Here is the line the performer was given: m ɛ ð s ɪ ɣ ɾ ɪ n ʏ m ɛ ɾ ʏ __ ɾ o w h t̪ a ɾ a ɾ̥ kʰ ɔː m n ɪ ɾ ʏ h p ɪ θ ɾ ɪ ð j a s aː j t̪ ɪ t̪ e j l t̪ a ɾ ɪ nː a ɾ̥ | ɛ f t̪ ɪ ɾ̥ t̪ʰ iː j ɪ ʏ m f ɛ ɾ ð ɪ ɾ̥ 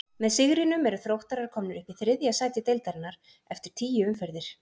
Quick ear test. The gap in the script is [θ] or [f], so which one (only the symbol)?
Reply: θ